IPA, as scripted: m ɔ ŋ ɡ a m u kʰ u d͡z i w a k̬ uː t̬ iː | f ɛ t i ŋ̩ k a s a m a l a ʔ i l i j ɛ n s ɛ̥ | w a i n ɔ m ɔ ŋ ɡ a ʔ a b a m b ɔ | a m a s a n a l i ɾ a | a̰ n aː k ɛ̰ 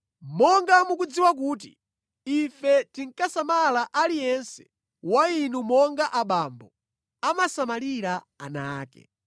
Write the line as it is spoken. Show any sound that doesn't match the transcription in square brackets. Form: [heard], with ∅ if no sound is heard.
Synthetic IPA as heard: m ɔ ŋ ɡ a m u [k] u d͡z i w a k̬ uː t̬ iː | f ɛ t i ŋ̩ k a s a m a l a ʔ [a] l i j ɛ n s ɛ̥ | w a i n [u] m ɔ ŋ ɡ a ʔ a [ɓ] a m b ɔ | a m a s a [m] a l i ɾ a | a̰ n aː k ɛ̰